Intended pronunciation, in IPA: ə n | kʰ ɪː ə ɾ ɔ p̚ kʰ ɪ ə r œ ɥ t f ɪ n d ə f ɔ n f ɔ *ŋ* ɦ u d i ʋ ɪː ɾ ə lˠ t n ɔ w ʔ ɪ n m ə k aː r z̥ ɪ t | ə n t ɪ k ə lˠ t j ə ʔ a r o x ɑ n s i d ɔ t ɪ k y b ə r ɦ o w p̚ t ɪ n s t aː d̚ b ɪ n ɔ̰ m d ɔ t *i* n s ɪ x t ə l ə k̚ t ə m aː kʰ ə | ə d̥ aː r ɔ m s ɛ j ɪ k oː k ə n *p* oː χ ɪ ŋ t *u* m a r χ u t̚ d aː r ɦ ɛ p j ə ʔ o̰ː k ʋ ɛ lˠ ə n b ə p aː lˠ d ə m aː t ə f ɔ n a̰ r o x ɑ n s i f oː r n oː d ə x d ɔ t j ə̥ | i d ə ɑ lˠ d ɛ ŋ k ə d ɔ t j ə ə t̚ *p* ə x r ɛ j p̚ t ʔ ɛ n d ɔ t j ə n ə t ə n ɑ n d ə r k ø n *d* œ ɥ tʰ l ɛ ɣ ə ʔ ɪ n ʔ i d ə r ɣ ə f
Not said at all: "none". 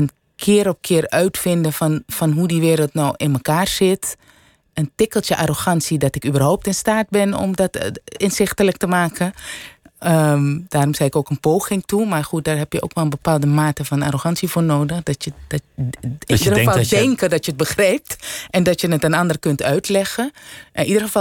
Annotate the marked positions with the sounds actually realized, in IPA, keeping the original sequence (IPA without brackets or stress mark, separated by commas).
n, ɪ, p, u, b, t